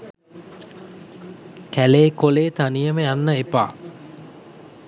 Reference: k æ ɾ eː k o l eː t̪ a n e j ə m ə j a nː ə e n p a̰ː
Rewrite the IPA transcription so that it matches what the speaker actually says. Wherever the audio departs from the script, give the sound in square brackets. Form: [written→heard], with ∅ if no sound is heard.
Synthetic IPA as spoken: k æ [ɾ→l] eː k o l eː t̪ a n [e→i] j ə m ə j a nː ə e [n→∅] p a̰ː